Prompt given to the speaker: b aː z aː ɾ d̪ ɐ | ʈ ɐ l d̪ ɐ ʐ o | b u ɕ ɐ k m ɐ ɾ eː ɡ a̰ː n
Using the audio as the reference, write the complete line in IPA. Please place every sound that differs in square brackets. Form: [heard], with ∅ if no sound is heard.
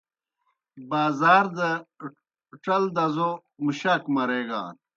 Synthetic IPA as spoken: b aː z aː ɾ d̪ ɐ | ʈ ɐ l d̪ ɐ [z] o | [m] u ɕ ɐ k m ɐ ɾ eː ɡ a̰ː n